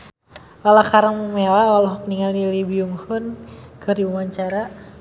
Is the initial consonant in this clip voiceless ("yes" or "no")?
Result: no